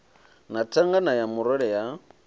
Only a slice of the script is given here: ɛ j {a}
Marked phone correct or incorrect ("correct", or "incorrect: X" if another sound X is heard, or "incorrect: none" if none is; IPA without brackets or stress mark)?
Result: correct